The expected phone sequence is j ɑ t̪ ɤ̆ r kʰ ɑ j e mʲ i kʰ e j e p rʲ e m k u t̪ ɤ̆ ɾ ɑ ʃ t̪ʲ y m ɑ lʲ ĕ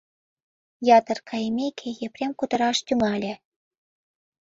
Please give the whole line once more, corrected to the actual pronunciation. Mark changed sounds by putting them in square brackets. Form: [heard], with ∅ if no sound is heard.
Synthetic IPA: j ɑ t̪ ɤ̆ r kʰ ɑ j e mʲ [e] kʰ e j e p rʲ e m k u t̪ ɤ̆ ɾ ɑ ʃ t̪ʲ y m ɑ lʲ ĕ